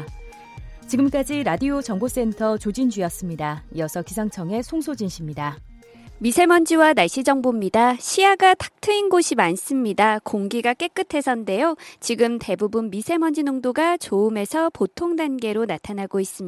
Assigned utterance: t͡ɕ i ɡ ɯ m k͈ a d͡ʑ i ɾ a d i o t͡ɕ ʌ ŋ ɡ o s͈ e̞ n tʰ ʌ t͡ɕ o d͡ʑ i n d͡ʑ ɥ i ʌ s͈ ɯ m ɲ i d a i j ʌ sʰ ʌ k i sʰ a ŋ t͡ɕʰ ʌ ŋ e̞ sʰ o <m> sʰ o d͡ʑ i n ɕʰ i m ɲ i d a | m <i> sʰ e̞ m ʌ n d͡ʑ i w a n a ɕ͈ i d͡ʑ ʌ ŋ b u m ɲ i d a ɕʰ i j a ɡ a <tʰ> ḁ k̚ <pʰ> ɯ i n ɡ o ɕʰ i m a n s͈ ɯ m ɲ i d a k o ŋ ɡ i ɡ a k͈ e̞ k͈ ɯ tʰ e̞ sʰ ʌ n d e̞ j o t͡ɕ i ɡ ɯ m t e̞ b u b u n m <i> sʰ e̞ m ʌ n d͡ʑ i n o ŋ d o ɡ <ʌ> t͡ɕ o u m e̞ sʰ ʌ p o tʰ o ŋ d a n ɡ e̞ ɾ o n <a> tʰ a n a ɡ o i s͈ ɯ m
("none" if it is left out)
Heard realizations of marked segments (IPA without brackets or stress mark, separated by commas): ŋ, i, tʰ, tʰ, i, a, a